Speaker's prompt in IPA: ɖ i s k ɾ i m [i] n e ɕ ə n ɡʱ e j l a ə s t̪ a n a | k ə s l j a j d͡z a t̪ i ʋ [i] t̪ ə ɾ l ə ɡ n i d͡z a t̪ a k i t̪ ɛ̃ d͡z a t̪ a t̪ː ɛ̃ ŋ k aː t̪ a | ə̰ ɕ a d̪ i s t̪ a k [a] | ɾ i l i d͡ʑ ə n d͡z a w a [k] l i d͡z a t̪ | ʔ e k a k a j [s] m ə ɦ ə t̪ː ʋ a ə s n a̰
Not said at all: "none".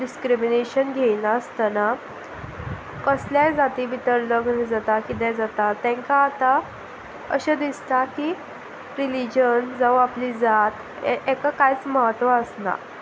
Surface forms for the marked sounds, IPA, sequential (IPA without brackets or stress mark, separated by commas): i, i, i, p, t͡s